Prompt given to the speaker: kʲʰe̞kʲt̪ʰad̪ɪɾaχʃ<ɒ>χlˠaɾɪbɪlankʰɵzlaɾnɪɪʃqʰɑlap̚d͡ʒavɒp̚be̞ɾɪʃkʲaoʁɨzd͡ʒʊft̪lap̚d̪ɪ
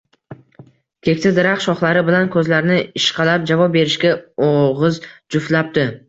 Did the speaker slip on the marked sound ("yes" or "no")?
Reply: no